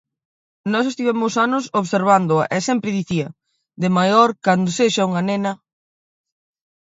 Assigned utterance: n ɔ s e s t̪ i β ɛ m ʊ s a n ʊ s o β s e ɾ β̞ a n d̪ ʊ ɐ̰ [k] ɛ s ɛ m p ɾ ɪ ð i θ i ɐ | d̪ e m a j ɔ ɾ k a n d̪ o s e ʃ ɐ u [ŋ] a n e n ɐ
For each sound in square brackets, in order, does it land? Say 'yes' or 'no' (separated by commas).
no, yes